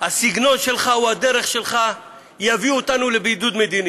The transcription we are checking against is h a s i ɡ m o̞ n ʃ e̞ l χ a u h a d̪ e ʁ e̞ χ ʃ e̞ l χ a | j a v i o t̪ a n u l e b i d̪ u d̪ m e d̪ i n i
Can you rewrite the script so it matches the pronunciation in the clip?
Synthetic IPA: h a s i ɡ n o̞ n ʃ e̞ l χ a u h a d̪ e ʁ e̞ χ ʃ e̞ l χ a | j a v i o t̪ a n u l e b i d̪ u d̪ m e d̪ i n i